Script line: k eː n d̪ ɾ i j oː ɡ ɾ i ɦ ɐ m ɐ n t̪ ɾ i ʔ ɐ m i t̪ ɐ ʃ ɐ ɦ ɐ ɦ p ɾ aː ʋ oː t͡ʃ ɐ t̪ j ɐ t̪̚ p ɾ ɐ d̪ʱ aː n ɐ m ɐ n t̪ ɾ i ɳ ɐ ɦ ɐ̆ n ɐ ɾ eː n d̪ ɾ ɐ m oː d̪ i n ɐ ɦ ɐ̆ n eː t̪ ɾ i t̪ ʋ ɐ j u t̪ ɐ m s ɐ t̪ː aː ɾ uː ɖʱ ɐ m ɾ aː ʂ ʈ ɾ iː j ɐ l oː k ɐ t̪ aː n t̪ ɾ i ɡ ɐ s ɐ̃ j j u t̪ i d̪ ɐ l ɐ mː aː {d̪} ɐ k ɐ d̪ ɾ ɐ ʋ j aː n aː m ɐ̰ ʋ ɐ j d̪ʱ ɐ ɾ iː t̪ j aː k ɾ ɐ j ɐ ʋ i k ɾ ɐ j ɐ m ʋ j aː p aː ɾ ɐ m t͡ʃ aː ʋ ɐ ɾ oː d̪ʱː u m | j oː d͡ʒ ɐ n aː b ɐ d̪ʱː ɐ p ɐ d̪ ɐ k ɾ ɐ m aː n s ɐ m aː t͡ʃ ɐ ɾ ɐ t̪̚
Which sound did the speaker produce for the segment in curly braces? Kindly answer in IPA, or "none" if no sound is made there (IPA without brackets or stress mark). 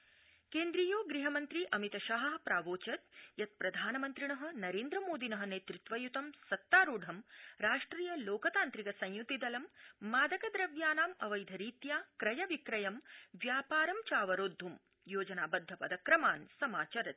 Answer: d̪